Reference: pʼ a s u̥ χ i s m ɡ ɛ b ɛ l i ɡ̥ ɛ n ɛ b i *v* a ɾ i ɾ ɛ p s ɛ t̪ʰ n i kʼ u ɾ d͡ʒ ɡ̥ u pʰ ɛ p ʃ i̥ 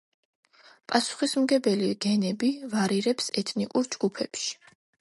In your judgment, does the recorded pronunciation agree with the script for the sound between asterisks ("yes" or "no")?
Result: yes